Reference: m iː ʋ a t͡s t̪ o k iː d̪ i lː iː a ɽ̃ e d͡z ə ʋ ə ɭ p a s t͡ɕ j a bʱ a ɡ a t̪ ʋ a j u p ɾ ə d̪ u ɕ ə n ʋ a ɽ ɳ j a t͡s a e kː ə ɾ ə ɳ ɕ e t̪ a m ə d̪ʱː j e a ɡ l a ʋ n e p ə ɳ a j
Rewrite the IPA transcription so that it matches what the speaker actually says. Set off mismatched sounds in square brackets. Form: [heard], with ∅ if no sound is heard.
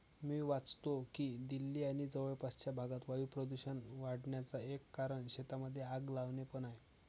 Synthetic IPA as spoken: m iː ʋ a t͡s t̪ o k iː d̪ i lː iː a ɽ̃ [i] d͡z ə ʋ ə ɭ p a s t͡ɕ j a bʱ a ɡ a t̪ ʋ a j u p ɾ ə d̪ u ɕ ə n ʋ a ɽ ɳ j a t͡s a e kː [a] ɾ ə ɳ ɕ e t̪ a m ə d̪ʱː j e a ɡ l a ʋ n e p ə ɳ a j